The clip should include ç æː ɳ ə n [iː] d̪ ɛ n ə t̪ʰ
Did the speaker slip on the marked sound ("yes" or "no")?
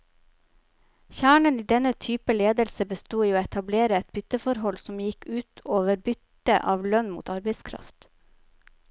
no